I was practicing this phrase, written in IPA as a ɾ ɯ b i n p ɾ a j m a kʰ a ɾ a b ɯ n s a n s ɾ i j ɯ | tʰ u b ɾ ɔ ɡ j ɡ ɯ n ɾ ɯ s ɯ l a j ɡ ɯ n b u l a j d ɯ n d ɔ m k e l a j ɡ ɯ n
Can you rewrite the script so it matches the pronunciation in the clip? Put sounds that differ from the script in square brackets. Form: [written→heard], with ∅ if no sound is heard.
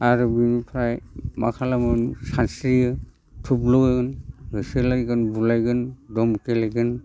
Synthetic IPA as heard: a ɾ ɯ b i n [p→pʰ] ɾ a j m a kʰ a [ɾ→l] a [b→m] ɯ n s a n s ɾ i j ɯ | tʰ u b [ɾ→l] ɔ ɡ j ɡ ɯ n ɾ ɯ s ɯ l a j ɡ ɯ n b u l a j [d→ɡ] ɯ n d ɔ m k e l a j ɡ ɯ n